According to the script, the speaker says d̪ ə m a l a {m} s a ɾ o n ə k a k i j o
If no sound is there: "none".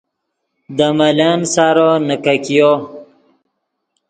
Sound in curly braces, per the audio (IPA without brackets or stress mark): n